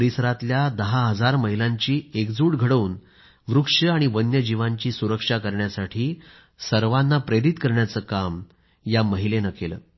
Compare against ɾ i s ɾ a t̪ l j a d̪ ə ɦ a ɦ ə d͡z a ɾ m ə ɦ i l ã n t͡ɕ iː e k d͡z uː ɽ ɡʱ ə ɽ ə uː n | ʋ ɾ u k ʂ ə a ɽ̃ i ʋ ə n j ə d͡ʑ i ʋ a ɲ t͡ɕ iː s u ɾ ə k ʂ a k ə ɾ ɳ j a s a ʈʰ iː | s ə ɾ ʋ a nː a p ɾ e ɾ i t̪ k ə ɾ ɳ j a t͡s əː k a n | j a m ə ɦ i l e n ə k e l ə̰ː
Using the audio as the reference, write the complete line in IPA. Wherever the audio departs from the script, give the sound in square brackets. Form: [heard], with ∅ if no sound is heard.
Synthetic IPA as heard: ɾ i s ɾ a t̪ l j a d̪ ə ɦ a ɦ ə d͡z a ɾ m ə ɦ i l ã [ɲ] t͡ɕ iː e k d͡z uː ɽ ɡʱ ə ɽ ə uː n | ʋ ɾ u k ʂ ə a ɽ̃ i ʋ ə n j ə d͡ʑ i ʋ a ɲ t͡ɕ iː s u ɾ ə k ʂ a k ə ɾ ɳ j a s a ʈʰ iː | s ə ɾ ʋ a nː a p ɾ e ɾ i t̪ k ə ɾ ɳ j a t͡s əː k a [m] | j a m ə ɦ i l e n ə k e l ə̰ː

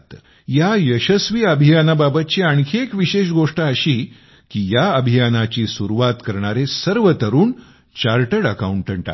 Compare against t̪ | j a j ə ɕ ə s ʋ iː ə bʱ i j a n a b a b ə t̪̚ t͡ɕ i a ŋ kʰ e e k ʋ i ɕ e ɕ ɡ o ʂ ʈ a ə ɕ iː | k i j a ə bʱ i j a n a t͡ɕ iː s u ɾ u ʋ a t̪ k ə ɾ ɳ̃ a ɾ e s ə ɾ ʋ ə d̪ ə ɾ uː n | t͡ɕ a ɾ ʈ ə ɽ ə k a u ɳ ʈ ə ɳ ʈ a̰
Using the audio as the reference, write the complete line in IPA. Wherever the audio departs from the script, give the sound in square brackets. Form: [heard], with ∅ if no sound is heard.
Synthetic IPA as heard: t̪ | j a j ə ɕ ə s ʋ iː ə bʱ i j a n a b a b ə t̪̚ t͡ɕ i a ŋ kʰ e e k ʋ i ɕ e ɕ ɡ o ʂ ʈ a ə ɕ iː | k i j a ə bʱ i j a n a t͡ɕ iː s u ɾ u ʋ a t̪ k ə ɾ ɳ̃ a ɾ e s ə ɾ ʋ ə [t̪] ə ɾ uː n | t͡ɕ a ɾ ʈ ə ɽ ə k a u ɳ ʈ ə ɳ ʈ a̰

